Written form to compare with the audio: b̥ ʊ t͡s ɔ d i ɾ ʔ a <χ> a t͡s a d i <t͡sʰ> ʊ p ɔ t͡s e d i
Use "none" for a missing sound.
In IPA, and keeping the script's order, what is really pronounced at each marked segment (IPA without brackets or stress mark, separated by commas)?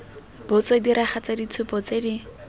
χ, t͡sʰ